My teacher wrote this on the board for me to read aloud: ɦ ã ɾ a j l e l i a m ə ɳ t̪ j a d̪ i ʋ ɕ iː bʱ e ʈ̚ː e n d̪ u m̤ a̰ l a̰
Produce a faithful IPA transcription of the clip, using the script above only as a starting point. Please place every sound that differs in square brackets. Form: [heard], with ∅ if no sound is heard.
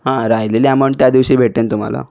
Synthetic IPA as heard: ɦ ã ɾ a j l e l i a m ə ɳ t̪ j a d̪ i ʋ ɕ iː bʱ e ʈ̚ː e n [t̪] u m̤ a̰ l a̰